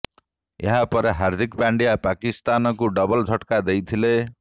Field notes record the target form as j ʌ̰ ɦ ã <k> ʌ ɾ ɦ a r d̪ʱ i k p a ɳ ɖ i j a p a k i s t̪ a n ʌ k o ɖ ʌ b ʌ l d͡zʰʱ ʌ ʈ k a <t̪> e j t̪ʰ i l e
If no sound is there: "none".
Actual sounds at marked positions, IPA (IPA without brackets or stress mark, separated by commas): p, d̪